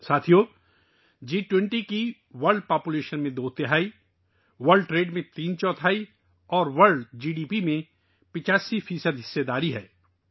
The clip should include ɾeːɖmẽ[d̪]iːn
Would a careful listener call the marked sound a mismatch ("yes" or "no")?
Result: yes